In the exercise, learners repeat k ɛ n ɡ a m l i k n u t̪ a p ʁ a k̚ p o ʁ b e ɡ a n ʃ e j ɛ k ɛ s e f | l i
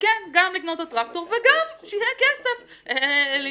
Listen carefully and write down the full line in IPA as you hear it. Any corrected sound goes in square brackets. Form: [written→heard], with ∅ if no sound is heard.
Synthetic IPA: k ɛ n ɡ a m l i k n [u→o] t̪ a [p→t] ʁ a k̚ [p→t] o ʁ [b→v] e ɡ a [n→m] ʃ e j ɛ k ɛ s e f | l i